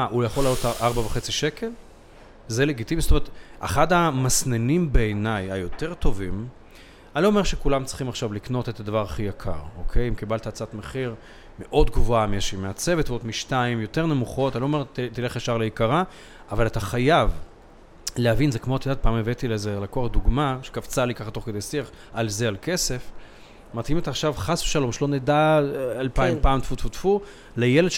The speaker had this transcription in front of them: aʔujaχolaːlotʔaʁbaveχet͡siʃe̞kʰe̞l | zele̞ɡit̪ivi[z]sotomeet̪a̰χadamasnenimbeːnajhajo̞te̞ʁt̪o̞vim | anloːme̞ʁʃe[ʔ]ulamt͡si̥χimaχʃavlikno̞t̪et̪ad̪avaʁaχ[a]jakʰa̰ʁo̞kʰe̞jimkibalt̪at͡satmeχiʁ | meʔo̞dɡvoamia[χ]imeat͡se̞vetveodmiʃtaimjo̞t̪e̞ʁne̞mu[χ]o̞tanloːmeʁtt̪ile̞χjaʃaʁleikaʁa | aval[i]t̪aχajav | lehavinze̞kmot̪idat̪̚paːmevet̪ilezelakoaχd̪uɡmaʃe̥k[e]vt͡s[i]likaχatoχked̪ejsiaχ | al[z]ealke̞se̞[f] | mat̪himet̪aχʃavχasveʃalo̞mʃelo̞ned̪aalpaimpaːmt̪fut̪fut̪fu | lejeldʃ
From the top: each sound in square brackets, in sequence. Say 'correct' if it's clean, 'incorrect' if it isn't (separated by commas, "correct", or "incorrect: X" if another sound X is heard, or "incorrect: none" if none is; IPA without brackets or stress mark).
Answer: correct, incorrect: k, incorrect: i, incorrect: ʃ, correct, incorrect: a, incorrect: a, incorrect: a, correct, correct